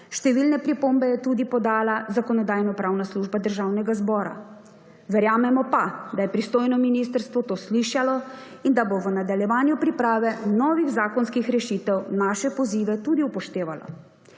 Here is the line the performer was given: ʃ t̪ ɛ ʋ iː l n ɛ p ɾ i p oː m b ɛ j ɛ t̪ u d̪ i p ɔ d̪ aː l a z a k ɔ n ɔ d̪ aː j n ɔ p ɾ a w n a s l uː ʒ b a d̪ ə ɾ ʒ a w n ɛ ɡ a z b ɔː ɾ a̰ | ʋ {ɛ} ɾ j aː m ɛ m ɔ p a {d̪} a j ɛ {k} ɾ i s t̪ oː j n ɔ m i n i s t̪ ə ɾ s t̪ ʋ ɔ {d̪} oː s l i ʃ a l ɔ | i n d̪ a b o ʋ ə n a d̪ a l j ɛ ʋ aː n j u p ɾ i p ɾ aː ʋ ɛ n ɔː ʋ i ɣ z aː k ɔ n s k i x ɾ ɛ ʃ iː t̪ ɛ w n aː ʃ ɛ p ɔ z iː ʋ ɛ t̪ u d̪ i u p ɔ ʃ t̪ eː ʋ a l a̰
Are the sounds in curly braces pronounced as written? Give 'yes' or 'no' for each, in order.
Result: yes, yes, no, no

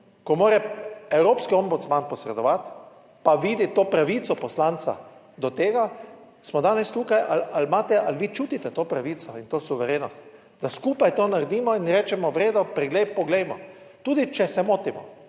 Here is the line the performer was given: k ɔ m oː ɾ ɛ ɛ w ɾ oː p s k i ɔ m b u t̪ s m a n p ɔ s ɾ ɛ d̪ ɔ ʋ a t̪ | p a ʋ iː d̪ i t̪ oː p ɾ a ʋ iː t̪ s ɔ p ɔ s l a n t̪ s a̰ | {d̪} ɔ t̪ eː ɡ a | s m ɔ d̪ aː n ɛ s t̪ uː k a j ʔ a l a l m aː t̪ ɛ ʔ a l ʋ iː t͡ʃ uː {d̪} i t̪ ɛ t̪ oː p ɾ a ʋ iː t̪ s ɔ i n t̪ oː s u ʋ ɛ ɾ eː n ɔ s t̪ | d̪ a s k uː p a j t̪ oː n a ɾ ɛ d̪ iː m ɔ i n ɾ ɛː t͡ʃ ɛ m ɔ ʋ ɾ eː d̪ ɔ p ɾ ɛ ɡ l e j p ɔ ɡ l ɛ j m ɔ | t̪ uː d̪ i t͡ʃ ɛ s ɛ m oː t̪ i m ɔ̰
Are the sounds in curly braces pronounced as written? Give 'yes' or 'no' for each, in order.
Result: yes, no

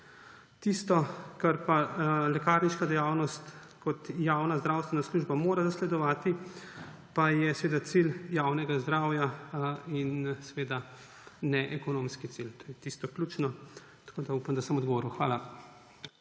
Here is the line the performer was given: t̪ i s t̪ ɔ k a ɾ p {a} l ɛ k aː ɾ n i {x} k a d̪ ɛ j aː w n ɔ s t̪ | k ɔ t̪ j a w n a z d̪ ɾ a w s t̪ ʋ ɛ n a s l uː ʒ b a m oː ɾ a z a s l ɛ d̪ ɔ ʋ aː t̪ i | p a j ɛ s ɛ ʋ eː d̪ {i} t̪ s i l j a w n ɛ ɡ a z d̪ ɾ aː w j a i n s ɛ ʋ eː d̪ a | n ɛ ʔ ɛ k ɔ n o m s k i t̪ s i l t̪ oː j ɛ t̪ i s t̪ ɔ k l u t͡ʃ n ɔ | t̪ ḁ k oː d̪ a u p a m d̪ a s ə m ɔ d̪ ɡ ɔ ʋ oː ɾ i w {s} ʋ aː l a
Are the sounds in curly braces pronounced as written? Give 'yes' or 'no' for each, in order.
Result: yes, no, no, no

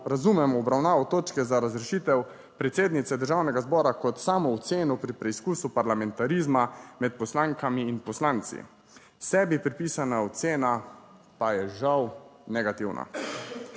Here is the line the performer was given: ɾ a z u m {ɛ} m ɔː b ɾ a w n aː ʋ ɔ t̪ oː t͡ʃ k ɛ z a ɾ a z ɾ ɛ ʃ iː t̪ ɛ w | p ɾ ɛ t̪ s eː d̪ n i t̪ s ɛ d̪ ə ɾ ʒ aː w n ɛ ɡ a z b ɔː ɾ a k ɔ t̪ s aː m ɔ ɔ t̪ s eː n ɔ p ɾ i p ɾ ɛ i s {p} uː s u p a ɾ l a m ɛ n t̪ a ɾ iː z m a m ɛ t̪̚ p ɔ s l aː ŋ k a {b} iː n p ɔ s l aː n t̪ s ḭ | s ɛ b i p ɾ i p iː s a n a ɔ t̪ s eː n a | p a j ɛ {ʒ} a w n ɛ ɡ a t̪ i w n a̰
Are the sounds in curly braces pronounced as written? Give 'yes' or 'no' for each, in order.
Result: yes, no, no, yes

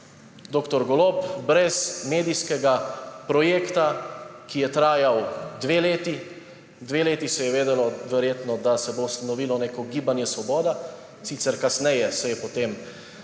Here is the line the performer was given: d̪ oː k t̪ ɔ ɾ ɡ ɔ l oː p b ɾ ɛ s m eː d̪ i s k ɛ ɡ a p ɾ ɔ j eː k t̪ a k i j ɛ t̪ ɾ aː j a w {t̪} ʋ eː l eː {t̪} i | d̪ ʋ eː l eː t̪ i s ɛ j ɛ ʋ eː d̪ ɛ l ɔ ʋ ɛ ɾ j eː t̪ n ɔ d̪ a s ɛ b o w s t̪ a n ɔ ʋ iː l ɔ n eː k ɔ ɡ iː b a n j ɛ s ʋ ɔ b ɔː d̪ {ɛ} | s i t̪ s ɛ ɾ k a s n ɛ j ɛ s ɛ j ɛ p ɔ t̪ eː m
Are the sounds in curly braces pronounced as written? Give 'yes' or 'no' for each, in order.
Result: no, yes, no

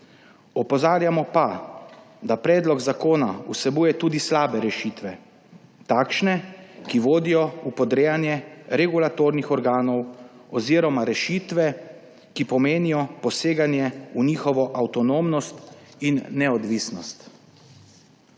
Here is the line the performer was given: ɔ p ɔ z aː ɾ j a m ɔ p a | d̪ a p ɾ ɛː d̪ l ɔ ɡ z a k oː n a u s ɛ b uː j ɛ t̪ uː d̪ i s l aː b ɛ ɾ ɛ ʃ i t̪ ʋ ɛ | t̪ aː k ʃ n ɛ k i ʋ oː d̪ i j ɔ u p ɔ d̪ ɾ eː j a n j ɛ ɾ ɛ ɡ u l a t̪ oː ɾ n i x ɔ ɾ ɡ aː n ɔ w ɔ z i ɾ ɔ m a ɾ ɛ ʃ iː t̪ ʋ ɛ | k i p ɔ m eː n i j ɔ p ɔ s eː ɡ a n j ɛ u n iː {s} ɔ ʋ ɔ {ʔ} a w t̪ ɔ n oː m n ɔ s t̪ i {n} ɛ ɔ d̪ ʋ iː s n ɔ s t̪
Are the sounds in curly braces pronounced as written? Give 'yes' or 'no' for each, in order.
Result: no, yes, no

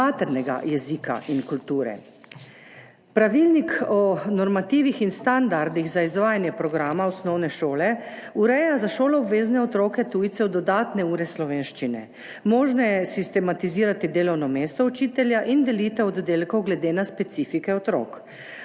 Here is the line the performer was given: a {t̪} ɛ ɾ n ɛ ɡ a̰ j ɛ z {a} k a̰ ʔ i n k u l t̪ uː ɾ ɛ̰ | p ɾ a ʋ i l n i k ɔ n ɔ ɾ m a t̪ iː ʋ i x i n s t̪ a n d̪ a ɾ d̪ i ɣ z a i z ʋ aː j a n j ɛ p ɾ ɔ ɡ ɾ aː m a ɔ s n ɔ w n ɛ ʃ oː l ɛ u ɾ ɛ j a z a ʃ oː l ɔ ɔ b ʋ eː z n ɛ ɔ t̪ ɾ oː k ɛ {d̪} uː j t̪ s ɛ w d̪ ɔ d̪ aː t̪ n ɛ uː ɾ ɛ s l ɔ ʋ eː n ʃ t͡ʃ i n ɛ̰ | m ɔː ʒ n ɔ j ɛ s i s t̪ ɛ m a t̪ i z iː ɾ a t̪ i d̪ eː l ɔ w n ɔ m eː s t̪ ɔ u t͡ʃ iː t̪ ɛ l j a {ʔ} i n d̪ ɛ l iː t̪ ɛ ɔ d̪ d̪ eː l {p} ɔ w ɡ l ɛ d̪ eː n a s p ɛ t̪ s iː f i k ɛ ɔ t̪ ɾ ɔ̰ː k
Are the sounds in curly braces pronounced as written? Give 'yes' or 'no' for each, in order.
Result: yes, no, no, yes, no

